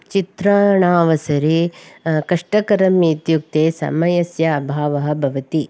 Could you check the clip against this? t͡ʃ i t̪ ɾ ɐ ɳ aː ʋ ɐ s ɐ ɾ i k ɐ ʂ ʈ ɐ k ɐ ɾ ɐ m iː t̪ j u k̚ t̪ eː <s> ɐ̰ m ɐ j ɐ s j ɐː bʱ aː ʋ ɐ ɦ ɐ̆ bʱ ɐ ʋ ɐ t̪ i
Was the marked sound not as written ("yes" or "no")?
no